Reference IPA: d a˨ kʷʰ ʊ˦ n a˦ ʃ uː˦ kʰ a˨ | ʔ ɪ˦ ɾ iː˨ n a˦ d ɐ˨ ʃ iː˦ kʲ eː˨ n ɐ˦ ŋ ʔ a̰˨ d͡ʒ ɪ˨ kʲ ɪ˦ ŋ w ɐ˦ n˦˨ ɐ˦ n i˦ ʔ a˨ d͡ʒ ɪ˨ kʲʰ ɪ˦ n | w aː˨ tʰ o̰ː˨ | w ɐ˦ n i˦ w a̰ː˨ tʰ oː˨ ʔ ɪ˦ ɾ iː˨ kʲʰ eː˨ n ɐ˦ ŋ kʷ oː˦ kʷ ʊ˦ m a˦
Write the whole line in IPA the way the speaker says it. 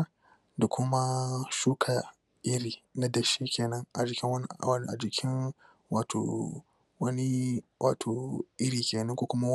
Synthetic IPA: d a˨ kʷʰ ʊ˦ m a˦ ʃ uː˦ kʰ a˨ | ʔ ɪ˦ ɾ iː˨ n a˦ d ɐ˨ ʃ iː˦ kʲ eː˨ n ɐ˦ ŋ ʔ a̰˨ d͡ʒ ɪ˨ kʲ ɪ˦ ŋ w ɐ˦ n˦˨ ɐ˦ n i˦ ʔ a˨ d͡ʒ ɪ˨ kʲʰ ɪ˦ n | w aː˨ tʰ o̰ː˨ | w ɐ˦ n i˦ w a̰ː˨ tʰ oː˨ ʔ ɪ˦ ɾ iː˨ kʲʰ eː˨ n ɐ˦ ŋ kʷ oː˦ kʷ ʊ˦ m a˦